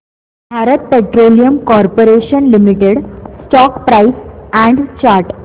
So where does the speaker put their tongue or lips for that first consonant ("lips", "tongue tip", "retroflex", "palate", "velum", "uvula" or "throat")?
lips